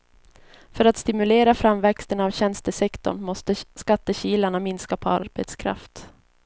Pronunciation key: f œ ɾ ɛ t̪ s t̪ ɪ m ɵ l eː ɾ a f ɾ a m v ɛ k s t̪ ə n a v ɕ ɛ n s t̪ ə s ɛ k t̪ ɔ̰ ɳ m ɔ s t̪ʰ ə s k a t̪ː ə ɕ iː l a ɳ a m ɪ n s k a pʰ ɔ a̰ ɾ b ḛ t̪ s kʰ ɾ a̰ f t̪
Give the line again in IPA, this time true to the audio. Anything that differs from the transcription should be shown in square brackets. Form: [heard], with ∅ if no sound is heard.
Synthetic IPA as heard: f œ ɾ [a] t̪ s t̪ ɪ m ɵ l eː ɾ a f ɾ a m v ɛ k s t̪ ə n a v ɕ ɛ n s t̪ ə s ɛ k t̪ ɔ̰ ɳ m ɔ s [t̪] ə s k a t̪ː ə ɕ iː l a ɳ a m ɪ n s k a pʰ ɔ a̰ ɾ b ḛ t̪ s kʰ ɾ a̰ f t̪

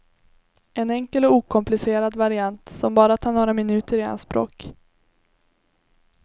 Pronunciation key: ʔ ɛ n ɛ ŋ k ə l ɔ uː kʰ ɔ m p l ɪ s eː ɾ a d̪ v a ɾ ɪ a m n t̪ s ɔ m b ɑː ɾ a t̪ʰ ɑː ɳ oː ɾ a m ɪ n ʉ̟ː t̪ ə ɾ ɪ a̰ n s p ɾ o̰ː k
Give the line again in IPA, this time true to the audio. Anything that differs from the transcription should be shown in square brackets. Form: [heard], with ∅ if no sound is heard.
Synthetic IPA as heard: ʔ ɛ n ɛ ŋ k ə l ɔ uː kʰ ɔ m p l ɪ s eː ɾ a d̪ v a ɾ ɪ a [∅] n t̪ s ɔ m b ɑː ɾ a t̪ʰ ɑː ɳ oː ɾ a m ɪ n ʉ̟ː t̪ ə ɾ ɪ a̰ n s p ɾ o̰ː k

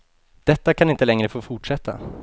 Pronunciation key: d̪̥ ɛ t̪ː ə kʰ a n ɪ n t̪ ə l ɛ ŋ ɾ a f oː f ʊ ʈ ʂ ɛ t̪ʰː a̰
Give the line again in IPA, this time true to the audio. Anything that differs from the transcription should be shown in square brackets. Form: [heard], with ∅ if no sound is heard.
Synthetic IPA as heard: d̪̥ ɛ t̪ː [a] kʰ a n ɪ n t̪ ə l ɛ ŋ ɾ [ə] f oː f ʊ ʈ ʂ ɛ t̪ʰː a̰

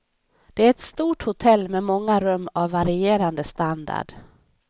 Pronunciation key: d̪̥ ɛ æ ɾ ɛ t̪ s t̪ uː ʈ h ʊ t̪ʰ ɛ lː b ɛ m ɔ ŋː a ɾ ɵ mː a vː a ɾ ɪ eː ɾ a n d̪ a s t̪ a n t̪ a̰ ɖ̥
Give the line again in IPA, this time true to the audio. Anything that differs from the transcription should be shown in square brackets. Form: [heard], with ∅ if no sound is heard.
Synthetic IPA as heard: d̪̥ ɛ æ ɾ ɛ t̪ s t̪ uː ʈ h ʊ t̪ʰ ɛ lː [m] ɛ m ɔ ŋː a ɾ ɵ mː a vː a ɾ ɪ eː ɾ a n d̪ [ə] s t̪ a n [d̪] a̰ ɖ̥

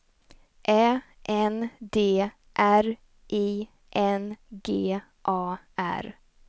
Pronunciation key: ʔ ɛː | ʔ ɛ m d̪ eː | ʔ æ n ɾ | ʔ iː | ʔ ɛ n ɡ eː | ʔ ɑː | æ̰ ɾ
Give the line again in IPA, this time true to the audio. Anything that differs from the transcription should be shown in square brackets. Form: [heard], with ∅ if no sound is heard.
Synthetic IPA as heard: ʔ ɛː | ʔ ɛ [n] d̪ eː | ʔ æ [∅] ɾ | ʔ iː | ʔ ɛ n ɡ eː | ʔ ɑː | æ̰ ɾ

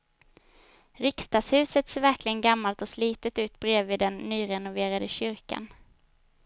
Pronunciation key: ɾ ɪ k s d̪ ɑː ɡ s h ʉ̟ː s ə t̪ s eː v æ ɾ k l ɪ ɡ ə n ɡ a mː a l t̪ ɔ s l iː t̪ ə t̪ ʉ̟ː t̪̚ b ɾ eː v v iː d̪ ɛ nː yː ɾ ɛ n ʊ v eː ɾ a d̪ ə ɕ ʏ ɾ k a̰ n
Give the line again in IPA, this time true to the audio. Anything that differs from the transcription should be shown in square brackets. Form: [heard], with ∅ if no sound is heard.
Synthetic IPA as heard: ɾ ɪ k s [t̪] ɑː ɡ s h ʉ̟ː s ə t̪ s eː v æ ɾ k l ɪ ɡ ə n ɡ a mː a l t̪ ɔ s l iː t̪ ə t̪ ʉ̟ː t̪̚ b ɾ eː v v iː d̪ ɛ nː yː ɾ ɛ n ʊ v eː ɾ a d̪ ə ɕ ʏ ɾ k a̰ n

